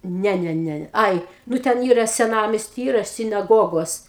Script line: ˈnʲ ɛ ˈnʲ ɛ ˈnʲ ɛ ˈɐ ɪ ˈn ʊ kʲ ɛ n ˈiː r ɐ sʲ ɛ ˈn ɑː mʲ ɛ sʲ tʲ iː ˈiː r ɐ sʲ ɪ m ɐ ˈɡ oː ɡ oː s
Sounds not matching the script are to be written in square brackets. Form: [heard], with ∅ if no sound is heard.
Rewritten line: ˈnʲ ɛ ˈnʲ ɛ ˈnʲ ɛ ˈɐ ɪ ˈn ʊ [tʲ] ɛ n ˈiː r ɐ sʲ ɛ ˈn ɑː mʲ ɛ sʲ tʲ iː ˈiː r ɐ sʲ ɪ [n] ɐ ˈɡ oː ɡ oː s